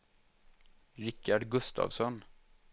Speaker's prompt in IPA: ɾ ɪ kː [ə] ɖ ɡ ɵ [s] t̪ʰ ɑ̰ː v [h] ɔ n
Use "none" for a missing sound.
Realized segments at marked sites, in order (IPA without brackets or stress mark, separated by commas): a, s, s